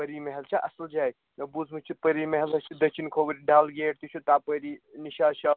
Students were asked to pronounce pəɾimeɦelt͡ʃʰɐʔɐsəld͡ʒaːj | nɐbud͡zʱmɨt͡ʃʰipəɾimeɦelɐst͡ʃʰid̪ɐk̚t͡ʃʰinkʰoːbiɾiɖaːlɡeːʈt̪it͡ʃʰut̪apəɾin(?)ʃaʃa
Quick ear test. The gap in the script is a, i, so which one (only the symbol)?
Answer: i